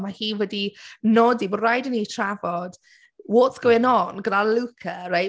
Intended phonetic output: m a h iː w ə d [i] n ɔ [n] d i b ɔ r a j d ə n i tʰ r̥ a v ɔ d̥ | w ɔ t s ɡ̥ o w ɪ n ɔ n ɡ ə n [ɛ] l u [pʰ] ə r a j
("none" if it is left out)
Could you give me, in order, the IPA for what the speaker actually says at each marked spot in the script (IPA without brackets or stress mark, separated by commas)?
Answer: i, none, a, kʰ